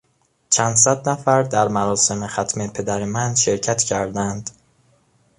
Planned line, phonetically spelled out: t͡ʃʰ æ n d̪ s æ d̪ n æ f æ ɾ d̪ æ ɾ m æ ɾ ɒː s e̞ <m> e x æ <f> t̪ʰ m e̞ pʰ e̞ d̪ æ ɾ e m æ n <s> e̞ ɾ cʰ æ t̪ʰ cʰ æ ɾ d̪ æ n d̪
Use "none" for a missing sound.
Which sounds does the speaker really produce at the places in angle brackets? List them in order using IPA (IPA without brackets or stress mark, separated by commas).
m, none, ʃ